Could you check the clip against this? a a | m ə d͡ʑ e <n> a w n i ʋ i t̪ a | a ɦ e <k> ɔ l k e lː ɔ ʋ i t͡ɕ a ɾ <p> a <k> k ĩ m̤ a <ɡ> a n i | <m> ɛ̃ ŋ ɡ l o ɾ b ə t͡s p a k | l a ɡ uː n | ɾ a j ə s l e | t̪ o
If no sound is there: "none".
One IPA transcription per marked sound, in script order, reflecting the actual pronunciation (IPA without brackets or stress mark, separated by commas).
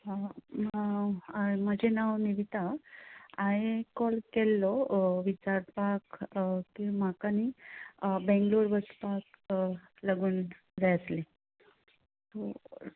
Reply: n, k, p, k, k, b